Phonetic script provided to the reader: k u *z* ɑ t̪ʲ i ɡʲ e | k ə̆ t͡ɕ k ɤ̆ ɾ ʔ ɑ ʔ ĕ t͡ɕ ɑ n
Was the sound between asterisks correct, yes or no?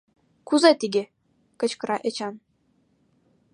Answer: yes